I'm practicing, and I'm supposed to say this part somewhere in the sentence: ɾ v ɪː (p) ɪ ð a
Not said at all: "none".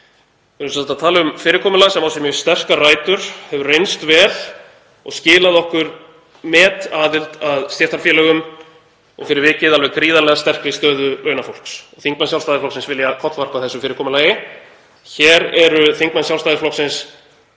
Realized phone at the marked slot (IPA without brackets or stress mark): c